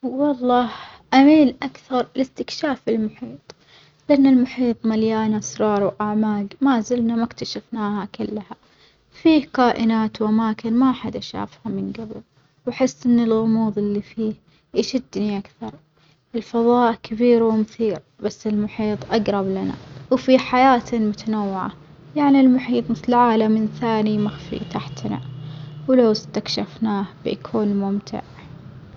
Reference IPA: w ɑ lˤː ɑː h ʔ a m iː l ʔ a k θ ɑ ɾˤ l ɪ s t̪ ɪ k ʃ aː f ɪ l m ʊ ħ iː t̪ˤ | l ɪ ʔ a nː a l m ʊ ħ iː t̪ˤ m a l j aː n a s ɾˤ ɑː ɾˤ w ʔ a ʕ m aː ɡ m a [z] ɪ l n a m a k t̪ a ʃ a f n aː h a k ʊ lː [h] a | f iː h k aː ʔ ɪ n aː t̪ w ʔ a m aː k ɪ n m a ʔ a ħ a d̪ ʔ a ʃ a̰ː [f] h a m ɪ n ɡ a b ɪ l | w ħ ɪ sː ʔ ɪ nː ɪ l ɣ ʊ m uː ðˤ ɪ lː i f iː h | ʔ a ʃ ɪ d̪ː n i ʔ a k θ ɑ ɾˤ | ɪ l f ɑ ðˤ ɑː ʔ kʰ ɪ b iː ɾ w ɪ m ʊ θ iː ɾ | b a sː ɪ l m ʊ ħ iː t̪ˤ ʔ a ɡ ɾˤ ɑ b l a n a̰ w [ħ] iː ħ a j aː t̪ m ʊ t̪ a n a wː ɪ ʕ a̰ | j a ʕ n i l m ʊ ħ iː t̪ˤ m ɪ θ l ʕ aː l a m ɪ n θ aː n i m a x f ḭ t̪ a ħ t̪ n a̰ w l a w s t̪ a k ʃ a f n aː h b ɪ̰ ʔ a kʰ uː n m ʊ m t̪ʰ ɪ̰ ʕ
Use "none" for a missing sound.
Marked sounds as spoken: z, h, f, f

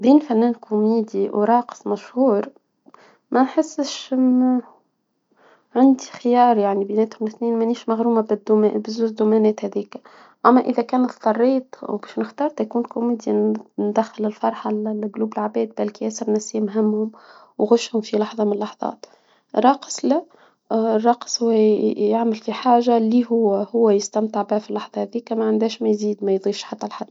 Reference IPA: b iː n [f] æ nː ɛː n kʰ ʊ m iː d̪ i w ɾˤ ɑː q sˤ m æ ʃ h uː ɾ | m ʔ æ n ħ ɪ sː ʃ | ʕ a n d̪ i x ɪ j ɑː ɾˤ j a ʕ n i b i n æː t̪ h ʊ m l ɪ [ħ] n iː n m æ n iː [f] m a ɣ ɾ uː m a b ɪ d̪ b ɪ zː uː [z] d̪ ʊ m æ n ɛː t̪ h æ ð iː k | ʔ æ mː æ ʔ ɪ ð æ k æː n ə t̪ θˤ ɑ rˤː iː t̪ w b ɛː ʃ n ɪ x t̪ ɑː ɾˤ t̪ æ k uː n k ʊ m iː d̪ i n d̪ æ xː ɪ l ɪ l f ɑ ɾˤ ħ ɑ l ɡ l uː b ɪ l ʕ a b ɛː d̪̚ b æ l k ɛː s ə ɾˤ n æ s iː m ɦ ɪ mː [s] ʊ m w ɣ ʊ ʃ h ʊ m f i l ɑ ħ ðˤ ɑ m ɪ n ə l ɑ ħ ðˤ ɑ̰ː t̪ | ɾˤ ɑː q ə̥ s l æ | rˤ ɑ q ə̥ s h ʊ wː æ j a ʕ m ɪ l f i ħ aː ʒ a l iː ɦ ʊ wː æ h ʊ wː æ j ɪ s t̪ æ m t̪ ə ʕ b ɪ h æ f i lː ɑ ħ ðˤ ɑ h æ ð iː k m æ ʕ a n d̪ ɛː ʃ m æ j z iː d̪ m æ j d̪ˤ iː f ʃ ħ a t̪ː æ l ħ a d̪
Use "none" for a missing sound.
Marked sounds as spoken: f, θ, ʃ, z, h

